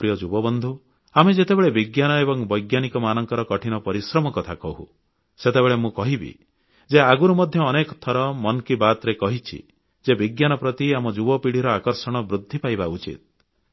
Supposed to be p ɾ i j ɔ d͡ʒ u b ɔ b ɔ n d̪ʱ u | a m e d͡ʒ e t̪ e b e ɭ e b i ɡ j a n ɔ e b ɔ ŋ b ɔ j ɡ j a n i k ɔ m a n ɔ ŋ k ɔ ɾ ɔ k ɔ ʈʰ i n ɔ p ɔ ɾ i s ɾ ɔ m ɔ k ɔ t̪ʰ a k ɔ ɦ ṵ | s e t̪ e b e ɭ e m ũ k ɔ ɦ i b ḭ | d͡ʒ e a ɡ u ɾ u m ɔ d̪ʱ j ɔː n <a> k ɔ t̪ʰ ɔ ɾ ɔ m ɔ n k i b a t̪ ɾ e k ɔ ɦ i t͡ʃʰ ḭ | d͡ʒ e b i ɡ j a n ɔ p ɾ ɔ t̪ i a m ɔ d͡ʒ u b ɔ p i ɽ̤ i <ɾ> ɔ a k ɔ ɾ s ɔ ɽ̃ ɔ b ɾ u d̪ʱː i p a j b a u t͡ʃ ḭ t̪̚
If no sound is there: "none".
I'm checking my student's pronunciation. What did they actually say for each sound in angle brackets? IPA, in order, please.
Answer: e, ɾ

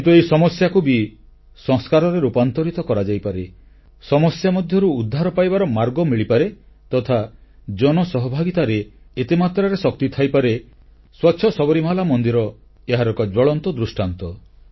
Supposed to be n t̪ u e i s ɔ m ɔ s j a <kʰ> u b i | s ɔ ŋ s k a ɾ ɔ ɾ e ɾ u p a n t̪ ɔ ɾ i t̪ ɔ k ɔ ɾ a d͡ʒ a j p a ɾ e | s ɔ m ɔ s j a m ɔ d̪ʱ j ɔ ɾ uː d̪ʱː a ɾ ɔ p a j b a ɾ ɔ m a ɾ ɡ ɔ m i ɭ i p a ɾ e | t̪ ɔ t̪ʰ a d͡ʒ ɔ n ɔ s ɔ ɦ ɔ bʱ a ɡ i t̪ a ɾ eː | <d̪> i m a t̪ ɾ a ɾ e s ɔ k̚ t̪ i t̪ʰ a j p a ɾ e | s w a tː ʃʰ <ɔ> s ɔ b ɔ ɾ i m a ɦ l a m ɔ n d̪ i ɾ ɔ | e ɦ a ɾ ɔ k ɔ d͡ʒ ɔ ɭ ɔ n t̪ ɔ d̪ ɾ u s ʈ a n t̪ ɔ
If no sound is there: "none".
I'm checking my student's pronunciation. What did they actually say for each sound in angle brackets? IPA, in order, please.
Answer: k, t̪, ɔ

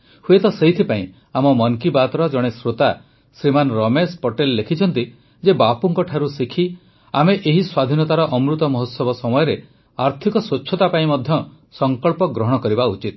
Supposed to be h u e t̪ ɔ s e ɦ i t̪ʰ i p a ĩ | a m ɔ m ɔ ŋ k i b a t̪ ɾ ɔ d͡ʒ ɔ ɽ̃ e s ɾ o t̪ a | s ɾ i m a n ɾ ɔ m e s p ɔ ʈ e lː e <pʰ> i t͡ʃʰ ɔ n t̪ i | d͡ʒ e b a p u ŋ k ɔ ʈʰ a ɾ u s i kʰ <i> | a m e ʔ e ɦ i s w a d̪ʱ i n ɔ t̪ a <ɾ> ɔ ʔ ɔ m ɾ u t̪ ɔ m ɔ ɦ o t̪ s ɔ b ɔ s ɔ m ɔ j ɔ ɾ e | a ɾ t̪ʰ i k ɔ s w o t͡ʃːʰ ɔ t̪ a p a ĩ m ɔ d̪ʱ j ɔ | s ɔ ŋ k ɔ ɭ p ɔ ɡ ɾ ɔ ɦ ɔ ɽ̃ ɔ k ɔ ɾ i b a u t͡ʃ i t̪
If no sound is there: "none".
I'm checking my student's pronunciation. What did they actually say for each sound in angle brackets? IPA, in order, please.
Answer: kʰ, i, ɾ

